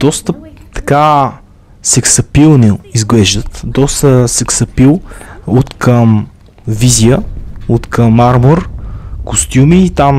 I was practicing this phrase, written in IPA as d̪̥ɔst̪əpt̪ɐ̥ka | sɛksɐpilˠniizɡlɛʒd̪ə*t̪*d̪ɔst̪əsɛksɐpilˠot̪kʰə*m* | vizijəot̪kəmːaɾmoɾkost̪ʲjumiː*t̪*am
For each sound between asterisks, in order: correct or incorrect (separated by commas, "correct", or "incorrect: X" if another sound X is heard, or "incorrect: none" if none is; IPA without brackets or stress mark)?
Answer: correct, correct, correct